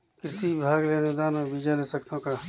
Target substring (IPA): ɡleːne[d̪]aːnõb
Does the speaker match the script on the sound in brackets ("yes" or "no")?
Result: yes